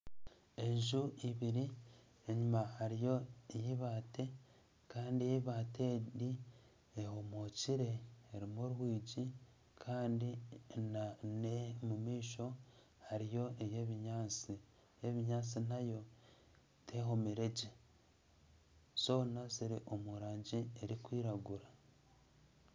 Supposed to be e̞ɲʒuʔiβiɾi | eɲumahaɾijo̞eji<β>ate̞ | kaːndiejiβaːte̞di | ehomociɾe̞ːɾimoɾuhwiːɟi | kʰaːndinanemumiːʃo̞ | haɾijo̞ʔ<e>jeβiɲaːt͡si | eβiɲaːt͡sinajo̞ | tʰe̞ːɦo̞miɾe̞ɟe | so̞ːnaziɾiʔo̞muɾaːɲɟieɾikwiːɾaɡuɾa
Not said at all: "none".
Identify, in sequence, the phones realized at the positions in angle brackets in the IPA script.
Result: β, e

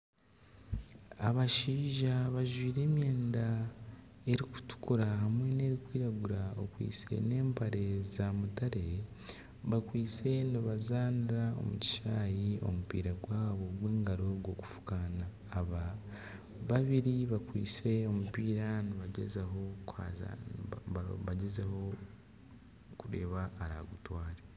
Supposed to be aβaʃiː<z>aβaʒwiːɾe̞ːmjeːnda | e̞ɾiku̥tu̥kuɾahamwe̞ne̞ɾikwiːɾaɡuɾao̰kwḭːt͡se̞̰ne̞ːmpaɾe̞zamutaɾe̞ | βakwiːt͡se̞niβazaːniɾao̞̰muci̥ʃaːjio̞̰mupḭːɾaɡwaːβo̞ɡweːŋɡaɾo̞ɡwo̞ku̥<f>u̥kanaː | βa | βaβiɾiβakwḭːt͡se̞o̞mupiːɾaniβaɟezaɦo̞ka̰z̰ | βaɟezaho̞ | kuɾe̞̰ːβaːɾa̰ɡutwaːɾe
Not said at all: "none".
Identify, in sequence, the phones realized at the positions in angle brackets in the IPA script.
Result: ʒ, f

